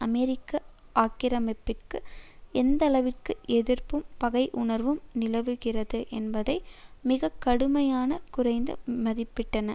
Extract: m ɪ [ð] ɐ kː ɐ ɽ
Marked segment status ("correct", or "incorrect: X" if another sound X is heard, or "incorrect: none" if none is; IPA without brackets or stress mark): incorrect: ɣ